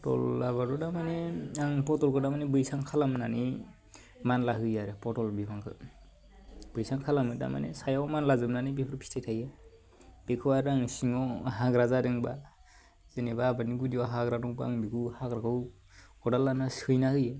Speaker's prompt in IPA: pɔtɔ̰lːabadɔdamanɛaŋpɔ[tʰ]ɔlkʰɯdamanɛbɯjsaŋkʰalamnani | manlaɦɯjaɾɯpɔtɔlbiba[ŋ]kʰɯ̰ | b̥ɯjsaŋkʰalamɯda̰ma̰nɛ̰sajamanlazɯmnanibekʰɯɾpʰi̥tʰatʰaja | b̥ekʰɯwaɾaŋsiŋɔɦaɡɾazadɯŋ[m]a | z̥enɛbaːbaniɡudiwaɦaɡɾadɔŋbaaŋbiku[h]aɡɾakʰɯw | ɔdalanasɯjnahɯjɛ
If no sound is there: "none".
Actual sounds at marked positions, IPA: t, ŋ, b, h

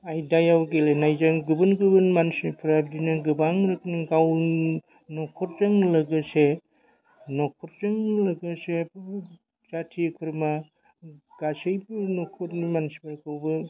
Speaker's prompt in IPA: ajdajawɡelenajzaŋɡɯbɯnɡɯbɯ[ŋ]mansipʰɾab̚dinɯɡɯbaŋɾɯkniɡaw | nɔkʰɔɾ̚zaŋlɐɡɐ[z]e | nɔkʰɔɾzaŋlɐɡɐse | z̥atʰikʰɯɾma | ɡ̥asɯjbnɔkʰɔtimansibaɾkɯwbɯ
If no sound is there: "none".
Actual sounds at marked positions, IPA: n, s

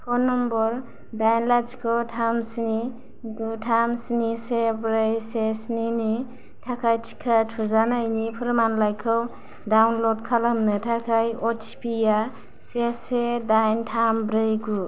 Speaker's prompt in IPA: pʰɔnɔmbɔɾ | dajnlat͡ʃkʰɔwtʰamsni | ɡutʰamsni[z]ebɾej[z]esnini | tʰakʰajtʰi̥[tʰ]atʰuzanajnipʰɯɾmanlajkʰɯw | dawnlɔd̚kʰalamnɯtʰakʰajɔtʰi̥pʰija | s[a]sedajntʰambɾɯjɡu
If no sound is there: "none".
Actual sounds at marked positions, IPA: s, s, kʰ, e

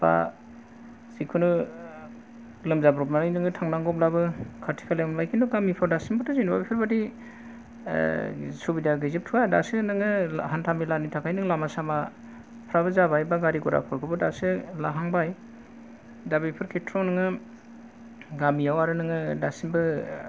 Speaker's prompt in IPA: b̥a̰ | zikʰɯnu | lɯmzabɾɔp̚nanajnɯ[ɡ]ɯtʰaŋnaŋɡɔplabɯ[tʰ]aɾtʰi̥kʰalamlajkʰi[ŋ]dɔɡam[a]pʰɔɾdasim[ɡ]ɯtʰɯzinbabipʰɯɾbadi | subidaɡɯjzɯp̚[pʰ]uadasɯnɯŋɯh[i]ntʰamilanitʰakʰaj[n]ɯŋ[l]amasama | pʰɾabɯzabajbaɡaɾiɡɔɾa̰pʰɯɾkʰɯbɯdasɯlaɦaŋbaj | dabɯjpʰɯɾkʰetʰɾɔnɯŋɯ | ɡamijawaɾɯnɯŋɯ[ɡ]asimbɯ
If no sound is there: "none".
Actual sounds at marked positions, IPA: ŋ, kʰ, n, i, b, tʰ, a, n, l, d

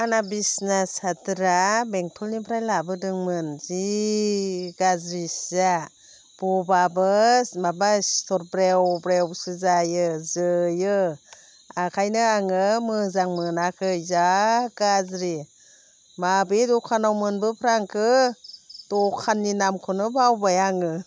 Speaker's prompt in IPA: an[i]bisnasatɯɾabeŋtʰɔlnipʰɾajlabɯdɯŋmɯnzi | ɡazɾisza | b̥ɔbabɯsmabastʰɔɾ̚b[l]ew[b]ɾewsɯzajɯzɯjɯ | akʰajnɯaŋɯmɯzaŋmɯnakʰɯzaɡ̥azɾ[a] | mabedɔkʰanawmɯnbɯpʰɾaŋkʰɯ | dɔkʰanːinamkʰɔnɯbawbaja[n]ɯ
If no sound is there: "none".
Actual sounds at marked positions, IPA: a, ɾ, b, i, ŋ

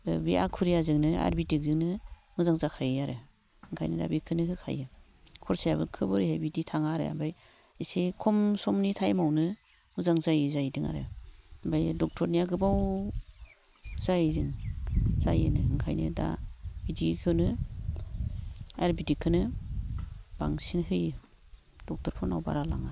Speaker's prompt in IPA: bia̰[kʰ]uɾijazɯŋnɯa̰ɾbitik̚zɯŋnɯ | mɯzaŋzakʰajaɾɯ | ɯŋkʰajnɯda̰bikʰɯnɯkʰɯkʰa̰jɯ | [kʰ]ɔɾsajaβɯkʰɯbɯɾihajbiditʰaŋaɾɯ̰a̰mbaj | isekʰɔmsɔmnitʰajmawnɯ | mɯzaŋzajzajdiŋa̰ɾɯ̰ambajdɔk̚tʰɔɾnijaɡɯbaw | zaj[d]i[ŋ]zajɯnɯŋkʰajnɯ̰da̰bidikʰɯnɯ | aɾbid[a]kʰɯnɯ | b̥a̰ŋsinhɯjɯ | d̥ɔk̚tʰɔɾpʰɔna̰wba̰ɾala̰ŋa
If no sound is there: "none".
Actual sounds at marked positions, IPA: kʰ, kʰ, d, ŋ, i

